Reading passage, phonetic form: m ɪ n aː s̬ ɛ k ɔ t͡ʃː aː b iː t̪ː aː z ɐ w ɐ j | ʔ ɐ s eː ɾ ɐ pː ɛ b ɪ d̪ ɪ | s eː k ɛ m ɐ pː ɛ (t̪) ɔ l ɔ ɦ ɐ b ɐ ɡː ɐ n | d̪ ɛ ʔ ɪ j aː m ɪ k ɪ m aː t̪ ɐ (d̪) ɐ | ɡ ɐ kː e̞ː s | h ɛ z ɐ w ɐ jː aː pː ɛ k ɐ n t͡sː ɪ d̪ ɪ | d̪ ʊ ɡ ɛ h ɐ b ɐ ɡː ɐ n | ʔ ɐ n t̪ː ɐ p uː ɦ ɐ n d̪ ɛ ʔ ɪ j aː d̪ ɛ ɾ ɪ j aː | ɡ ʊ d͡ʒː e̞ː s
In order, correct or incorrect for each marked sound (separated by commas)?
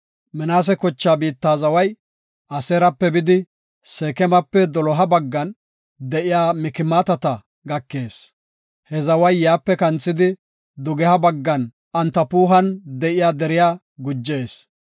incorrect, incorrect